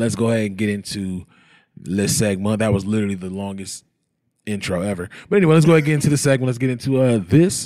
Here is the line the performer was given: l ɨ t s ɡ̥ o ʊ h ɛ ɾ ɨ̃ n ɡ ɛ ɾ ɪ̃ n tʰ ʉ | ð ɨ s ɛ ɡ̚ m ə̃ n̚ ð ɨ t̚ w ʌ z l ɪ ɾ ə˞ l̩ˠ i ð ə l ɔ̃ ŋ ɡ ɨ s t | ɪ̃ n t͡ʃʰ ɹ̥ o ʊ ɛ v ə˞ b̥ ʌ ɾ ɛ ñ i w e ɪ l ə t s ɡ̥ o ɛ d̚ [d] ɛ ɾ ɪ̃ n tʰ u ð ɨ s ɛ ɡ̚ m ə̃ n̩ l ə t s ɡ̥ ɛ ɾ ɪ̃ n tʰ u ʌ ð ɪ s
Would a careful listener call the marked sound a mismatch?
yes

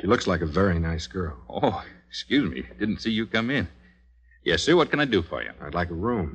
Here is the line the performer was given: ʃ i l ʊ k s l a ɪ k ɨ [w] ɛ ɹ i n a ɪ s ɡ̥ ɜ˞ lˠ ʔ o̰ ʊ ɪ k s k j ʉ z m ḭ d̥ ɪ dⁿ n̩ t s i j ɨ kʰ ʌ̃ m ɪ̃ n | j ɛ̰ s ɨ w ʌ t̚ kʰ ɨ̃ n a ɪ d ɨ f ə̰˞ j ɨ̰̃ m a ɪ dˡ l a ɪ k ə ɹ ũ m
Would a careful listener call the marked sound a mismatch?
yes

